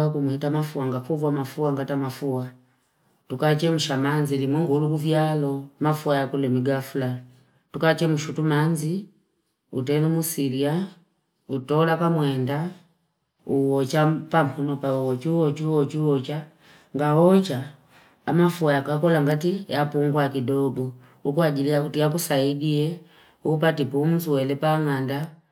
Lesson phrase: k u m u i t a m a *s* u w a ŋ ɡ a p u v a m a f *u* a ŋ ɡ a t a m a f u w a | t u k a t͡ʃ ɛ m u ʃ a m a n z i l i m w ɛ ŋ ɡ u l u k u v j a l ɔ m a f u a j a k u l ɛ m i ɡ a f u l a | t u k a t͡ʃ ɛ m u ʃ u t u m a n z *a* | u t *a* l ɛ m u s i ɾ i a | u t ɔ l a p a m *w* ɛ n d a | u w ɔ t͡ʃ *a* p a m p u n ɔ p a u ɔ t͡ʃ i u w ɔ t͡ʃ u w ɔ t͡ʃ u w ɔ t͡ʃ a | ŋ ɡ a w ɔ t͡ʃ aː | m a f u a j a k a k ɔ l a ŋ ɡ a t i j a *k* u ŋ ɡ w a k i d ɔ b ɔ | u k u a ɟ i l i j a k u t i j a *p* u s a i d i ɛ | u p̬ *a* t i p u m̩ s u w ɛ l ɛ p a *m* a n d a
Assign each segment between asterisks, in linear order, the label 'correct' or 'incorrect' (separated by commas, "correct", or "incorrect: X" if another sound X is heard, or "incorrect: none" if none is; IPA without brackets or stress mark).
incorrect: f, correct, incorrect: i, incorrect: ɛ, correct, correct, incorrect: p, incorrect: k, correct, incorrect: ŋ